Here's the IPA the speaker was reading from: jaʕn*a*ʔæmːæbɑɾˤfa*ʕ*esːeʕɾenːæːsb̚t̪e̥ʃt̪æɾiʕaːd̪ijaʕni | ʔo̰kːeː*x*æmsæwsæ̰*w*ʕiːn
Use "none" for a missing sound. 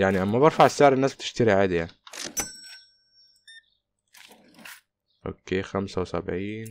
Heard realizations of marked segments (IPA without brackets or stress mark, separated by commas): i, ʕ, x, b